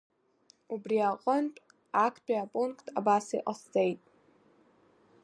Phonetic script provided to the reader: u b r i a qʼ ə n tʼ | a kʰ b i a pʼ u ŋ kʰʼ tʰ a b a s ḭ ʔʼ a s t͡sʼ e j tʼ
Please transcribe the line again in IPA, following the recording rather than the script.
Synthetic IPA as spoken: u b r i a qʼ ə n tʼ | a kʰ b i a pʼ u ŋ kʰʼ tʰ a b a s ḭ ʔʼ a s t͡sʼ e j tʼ

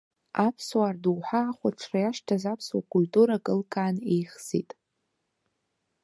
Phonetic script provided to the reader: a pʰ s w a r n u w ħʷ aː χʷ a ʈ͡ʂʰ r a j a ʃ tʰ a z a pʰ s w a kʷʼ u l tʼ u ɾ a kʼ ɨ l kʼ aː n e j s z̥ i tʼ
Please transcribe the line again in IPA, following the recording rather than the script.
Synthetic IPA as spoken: a pʰ s w a r d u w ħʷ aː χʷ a ʈ͡ʂʰ r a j a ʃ tʰ a z a pʰ s w a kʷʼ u l tʼ u ɾ a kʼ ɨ l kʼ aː n e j χ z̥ i tʼ

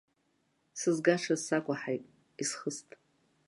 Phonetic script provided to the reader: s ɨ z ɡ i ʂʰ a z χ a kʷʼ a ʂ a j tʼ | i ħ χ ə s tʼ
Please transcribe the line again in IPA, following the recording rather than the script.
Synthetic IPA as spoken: s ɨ z ɡ a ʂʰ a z s a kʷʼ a ħ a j tʼ | i s χ ə s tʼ

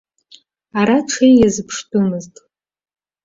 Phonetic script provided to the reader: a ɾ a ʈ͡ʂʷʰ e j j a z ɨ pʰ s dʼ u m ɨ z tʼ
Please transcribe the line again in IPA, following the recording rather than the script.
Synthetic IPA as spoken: a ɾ a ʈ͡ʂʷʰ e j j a z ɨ pʰ ʂ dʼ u m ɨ z tʼ

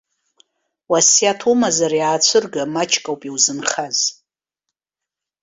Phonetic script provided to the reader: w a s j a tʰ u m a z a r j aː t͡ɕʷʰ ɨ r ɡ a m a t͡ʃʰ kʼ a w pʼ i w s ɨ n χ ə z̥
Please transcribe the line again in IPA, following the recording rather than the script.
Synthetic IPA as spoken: w a s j a tʰ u m a z a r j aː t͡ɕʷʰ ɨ r ɡ a m a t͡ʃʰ kʼ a w pʼ i w z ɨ n χ a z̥

